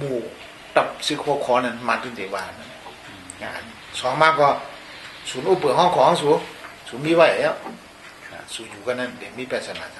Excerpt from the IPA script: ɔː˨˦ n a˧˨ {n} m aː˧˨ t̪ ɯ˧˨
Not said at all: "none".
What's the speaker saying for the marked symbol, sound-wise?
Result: n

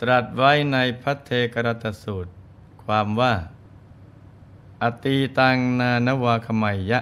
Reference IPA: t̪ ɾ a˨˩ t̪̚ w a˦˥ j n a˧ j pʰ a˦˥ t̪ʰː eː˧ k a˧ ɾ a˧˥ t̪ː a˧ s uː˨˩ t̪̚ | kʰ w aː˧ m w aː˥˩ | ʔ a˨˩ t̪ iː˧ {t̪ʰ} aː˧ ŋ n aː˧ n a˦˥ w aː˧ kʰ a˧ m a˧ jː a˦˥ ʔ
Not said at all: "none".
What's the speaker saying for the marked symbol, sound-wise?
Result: t̪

